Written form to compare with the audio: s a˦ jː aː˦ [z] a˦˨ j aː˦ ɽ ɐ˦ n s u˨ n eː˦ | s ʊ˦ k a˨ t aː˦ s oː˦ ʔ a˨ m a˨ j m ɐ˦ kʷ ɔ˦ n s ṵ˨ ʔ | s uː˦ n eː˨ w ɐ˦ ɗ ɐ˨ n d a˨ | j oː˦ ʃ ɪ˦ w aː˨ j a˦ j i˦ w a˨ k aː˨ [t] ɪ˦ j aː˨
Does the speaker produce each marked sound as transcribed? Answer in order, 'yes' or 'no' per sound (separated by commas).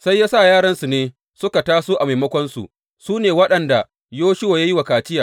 no, no